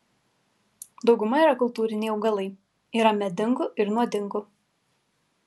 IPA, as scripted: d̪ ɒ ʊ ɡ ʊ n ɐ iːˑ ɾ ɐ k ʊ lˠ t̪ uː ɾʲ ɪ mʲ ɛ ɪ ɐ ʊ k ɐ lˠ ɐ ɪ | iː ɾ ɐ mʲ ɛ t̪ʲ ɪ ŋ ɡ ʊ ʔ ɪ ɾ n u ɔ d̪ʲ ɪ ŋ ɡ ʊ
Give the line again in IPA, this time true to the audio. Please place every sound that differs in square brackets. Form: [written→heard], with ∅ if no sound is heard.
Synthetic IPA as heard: d̪ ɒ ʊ ɡ ʊ [n→m] ɐ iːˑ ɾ ɐ k ʊ lˠ t̪ uː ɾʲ ɪ [mʲ→nʲ] ɛ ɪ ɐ ʊ [k→ɡ] ɐ lˠ ɐ ɪ | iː ɾ ɐ mʲ ɛ [t̪ʲ→d̪ʲ] ɪ ŋ ɡ ʊ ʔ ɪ ɾ n u ɔ d̪ʲ ɪ ŋ ɡ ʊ